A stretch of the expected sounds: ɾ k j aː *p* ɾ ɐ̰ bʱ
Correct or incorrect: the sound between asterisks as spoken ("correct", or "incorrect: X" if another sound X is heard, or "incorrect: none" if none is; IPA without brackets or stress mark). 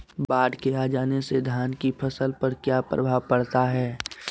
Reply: correct